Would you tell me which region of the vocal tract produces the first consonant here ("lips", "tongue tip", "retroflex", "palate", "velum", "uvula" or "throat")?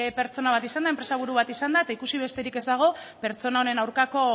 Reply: lips